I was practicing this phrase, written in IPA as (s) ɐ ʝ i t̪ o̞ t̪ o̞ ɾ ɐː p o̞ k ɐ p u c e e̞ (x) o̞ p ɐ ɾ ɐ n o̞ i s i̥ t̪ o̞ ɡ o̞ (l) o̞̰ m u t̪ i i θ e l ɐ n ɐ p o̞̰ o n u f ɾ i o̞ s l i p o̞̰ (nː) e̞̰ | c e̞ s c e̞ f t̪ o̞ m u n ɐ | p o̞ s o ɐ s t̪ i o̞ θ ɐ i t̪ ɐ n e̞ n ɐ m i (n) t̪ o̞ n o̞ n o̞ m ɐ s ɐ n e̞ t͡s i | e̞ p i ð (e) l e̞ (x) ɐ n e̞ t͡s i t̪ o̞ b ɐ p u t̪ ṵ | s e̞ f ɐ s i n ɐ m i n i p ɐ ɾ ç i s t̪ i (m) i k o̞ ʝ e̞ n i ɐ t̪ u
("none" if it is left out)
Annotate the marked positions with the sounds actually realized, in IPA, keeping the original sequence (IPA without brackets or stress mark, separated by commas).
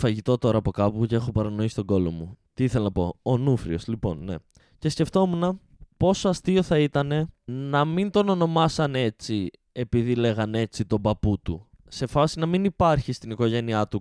f, x, l, nː, n, i, ɣ, n